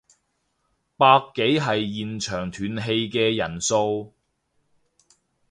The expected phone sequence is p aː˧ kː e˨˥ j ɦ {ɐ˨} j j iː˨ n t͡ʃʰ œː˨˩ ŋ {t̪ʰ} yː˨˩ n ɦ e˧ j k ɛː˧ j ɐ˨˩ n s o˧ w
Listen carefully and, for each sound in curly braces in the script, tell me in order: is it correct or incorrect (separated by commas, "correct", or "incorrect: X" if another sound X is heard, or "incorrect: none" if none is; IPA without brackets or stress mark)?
correct, correct